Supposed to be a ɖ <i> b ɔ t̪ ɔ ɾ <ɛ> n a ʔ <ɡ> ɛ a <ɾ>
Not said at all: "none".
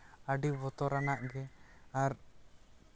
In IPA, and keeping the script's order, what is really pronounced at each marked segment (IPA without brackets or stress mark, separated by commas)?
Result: i, a, ɡ, ɾ